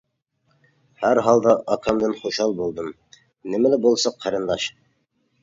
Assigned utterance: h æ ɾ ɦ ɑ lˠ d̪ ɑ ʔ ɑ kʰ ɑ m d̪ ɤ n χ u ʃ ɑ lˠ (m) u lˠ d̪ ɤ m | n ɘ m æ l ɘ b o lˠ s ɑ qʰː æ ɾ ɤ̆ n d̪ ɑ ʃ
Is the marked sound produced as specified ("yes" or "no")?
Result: no